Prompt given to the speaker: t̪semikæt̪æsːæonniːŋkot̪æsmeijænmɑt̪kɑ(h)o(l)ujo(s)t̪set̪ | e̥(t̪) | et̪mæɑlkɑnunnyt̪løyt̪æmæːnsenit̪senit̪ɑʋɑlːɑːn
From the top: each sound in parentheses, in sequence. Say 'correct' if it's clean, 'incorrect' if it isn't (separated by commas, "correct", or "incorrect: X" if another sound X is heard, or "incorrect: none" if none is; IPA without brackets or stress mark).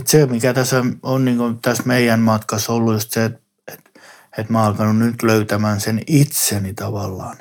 incorrect: s, incorrect: lː, correct, correct